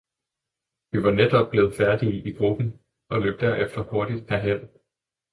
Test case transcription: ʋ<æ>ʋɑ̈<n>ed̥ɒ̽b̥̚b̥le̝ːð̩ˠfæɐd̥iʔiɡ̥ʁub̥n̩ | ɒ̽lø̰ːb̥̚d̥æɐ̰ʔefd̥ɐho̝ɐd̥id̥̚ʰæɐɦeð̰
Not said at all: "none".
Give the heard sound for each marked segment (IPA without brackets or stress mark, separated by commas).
i, n